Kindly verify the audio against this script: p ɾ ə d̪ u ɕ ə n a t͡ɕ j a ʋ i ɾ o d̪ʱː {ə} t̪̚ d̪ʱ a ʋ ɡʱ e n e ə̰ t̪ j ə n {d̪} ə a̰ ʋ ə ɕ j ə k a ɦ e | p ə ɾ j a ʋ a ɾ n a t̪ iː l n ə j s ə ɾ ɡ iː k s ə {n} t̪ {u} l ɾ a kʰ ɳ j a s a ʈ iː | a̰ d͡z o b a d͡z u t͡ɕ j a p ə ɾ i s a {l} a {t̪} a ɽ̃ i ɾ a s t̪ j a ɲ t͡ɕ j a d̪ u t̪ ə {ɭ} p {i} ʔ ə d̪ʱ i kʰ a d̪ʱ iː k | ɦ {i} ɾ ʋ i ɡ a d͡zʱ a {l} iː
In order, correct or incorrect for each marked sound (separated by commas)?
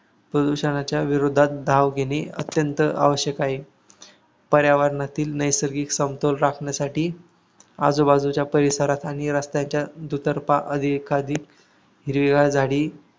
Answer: incorrect, incorrect, incorrect, incorrect, incorrect, correct, incorrect, incorrect, correct, incorrect